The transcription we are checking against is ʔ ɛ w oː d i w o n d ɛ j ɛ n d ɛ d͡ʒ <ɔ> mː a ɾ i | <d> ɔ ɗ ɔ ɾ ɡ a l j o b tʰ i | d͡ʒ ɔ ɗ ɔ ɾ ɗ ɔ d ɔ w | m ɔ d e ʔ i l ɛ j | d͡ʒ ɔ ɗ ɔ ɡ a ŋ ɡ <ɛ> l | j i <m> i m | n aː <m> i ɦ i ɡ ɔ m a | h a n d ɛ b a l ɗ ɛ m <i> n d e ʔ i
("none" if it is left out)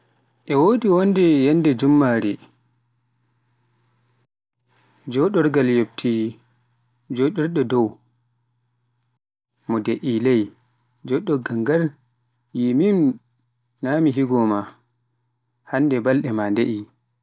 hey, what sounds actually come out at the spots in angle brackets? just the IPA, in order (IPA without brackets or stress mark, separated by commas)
u, d͡ʒ, a, m, m, a